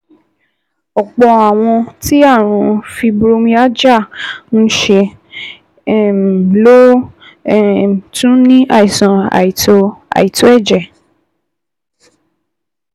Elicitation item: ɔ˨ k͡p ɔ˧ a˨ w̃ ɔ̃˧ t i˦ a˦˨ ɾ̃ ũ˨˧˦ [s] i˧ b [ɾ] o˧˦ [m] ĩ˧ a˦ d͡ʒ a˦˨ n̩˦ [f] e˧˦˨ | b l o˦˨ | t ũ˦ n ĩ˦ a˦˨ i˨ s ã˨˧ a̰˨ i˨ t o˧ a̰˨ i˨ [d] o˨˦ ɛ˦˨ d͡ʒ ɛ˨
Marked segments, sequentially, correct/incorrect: incorrect, correct, correct, incorrect, incorrect

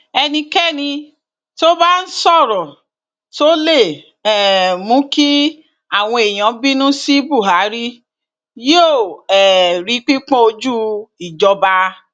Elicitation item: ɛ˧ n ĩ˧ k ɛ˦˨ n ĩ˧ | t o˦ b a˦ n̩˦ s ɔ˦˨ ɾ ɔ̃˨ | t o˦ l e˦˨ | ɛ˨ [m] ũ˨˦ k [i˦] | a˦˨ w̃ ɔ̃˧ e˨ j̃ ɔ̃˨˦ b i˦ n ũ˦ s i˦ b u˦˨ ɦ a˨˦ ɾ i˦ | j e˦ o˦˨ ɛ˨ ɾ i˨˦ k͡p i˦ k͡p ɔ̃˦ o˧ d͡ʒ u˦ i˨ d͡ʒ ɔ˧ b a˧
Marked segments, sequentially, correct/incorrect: correct, correct

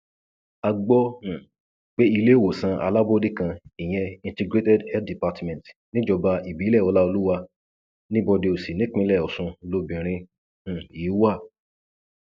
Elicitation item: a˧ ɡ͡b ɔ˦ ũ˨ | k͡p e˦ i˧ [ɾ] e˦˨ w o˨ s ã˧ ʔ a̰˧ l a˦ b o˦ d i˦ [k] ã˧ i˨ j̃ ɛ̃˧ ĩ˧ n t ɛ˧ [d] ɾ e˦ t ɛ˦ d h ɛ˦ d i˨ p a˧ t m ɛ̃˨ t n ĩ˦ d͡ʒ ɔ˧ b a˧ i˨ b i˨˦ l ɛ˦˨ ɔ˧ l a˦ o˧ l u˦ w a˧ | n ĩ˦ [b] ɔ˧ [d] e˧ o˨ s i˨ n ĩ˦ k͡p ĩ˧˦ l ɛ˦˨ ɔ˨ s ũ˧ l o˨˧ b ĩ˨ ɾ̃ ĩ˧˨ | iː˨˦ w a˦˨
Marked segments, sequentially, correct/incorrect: incorrect, correct, incorrect, correct, correct

